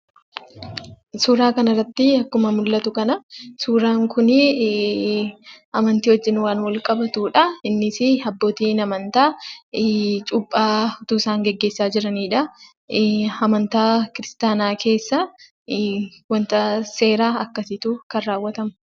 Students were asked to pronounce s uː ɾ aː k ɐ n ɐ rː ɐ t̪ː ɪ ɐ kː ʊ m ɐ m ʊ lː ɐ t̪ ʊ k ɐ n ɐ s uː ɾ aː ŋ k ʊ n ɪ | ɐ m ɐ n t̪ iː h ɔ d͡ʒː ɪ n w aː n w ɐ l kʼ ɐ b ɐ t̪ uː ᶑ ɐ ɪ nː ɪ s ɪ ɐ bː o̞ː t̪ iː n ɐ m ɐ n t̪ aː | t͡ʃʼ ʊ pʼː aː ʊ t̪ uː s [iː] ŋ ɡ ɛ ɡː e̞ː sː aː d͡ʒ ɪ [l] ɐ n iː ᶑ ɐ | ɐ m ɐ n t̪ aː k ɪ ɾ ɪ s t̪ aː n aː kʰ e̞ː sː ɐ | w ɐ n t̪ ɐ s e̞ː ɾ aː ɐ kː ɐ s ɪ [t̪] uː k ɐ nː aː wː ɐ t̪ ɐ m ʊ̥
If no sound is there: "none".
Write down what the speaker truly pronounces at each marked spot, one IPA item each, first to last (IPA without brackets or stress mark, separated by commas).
aː, ɾ, t̪